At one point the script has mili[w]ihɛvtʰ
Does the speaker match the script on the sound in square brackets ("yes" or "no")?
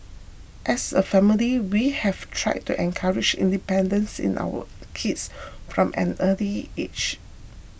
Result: yes